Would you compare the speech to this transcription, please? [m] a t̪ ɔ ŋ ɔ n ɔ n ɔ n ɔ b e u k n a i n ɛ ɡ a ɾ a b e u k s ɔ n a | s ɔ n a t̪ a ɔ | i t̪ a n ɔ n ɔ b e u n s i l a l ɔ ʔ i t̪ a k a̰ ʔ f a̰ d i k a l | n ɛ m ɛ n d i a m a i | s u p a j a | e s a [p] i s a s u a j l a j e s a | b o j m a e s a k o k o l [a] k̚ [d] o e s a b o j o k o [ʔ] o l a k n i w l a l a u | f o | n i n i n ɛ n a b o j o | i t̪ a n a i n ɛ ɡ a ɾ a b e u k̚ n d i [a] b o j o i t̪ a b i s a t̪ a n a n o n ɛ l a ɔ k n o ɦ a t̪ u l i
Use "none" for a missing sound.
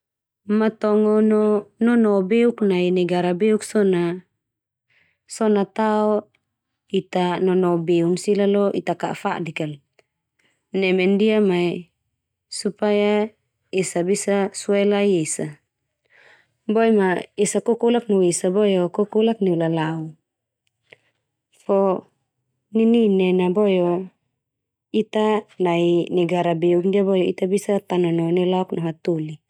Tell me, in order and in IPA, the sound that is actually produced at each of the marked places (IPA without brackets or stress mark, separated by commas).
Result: m, b, a, n, k, a